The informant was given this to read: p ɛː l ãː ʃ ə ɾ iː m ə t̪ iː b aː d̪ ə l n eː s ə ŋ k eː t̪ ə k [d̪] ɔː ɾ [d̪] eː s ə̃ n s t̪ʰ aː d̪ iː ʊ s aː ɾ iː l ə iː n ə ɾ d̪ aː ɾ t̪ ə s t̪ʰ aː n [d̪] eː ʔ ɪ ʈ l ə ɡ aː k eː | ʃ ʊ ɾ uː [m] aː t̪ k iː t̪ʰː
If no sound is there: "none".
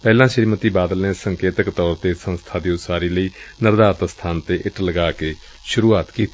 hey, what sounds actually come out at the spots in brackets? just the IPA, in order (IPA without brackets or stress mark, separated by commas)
t̪, t̪, t̪, none